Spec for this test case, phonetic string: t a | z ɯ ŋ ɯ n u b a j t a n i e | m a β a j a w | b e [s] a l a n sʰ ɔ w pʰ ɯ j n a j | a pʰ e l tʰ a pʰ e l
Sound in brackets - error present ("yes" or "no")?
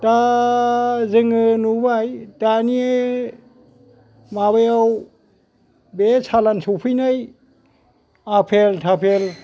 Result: no